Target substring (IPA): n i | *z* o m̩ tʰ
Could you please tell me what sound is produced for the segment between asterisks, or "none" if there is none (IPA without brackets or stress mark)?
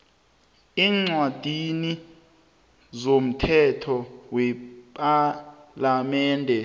z